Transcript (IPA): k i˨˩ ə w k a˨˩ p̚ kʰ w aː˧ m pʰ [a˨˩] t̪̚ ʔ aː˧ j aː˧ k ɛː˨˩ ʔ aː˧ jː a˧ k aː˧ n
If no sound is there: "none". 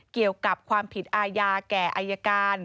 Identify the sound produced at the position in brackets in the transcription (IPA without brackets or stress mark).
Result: i˨˩